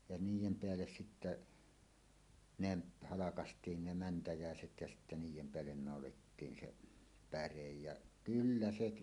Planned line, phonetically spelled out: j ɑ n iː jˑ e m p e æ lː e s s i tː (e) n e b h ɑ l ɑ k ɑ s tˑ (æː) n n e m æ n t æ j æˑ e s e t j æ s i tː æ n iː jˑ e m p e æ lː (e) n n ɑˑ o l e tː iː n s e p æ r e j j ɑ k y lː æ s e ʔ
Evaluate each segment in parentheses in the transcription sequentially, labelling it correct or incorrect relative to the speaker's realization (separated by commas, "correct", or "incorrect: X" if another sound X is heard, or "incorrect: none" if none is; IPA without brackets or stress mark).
incorrect: æ, incorrect: iː, correct